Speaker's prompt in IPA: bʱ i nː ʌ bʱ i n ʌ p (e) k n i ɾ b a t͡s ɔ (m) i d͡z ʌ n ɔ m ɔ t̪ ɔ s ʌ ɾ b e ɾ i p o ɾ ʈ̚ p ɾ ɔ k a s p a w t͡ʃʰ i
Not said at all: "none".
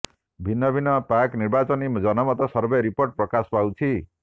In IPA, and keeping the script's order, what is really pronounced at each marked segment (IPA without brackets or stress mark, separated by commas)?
a, n